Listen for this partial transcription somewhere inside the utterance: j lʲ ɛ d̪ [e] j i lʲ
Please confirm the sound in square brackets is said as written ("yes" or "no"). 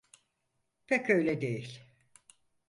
yes